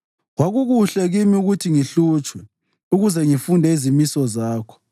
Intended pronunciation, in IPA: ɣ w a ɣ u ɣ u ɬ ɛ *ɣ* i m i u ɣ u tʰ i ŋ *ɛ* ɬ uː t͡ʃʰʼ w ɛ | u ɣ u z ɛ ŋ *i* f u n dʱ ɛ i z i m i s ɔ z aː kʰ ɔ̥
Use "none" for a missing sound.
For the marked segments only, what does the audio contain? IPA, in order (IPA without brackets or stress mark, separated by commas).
ɣ, i, i